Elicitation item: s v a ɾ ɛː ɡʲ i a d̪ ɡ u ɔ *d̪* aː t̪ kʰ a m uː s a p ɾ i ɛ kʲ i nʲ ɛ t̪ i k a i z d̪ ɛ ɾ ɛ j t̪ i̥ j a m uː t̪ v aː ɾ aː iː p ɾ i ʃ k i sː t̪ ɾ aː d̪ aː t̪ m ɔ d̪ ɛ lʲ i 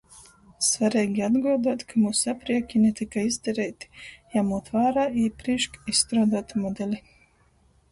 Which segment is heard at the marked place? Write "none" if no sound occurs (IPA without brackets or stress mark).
d̪